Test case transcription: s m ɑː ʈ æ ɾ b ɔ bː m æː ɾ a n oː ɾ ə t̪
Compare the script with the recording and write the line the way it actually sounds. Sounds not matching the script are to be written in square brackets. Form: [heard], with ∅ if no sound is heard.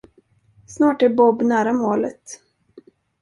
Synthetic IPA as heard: s [n] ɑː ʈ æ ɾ b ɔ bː [n] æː ɾ a [m] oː [l] ə t̪